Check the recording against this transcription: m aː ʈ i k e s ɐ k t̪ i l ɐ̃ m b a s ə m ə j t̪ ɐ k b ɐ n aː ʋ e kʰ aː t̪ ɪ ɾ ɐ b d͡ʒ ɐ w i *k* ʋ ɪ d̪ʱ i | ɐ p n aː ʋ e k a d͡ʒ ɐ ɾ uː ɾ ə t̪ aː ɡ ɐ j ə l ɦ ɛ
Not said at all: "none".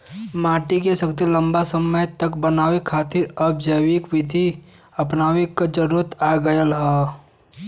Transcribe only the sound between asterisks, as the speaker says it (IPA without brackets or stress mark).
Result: k